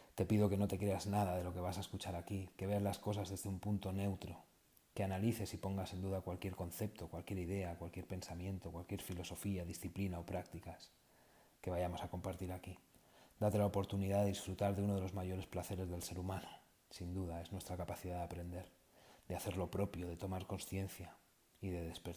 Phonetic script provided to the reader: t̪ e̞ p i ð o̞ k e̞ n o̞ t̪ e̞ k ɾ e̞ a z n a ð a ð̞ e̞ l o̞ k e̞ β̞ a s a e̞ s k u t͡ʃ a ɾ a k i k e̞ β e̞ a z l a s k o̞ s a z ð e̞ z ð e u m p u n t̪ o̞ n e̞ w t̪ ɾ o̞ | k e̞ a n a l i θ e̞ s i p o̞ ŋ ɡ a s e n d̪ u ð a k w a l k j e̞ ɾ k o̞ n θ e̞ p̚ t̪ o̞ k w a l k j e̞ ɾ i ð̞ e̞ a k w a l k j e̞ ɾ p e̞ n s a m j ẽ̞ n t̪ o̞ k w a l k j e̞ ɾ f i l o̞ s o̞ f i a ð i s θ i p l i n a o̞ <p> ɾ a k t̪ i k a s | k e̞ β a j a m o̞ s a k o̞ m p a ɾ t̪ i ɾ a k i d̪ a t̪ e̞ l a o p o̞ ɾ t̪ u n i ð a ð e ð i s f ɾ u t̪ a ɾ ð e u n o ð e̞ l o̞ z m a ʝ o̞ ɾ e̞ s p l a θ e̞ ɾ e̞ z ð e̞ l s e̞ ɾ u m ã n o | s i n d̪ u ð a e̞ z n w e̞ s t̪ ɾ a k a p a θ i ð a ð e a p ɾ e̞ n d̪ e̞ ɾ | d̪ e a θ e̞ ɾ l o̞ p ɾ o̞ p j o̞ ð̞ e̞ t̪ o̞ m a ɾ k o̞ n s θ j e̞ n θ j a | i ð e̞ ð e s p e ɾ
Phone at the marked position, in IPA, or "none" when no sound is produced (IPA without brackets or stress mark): p